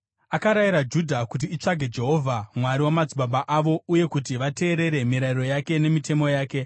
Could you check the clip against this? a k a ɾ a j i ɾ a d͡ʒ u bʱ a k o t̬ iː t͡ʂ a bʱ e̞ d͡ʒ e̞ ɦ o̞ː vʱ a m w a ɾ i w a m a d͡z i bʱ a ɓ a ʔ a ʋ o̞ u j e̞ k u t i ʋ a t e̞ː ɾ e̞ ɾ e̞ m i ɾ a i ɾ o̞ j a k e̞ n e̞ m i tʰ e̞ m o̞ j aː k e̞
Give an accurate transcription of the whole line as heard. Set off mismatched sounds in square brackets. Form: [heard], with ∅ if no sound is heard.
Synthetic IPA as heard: a k a ɾ a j i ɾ a d͡ʒ u [dʱ] a k [u] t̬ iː t͡ʂ a [ɡʱ] e̞ d͡ʒ e̞ ɦ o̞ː vʱ a m w a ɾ i w a m a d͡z i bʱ a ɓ a ʔ a ʋ o̞ u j e̞ k u t i ʋ a t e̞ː ɾ e̞ ɾ e̞ m i ɾ a i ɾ o̞ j a k e̞ n e̞ m i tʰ e̞ m o̞ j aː k e̞